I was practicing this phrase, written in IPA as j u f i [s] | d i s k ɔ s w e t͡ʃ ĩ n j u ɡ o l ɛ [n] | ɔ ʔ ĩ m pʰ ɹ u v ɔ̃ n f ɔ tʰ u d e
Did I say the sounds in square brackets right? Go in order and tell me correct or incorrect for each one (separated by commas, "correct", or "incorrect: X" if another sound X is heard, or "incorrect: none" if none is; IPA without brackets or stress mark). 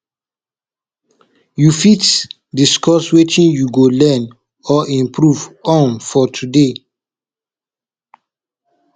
incorrect: t, correct